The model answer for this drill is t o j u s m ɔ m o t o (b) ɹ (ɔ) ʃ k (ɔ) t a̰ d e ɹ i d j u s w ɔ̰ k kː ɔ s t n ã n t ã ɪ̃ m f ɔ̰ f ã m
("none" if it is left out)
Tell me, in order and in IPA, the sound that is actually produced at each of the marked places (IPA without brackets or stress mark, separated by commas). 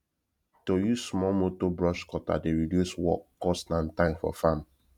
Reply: b, ɔ, ɔ